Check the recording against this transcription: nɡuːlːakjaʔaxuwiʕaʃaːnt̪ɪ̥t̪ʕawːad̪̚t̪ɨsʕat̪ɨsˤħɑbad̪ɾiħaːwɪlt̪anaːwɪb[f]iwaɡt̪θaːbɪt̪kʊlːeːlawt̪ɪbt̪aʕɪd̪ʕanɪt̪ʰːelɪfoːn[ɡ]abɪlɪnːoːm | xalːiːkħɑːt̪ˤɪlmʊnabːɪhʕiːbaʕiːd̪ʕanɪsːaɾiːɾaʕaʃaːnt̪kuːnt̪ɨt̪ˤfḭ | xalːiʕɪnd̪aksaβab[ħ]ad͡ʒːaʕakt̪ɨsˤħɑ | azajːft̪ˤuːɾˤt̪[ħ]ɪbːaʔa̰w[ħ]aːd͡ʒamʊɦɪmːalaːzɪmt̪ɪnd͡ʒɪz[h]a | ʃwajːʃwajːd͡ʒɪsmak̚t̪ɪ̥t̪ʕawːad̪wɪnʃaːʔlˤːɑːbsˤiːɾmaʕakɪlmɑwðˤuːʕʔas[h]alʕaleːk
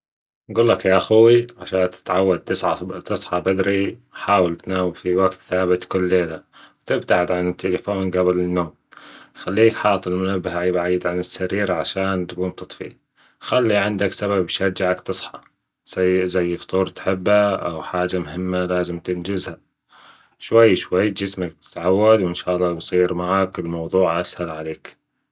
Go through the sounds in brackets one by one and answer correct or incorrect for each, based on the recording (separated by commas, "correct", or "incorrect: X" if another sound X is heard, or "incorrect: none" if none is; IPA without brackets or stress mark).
correct, correct, incorrect: ʃ, correct, correct, correct, correct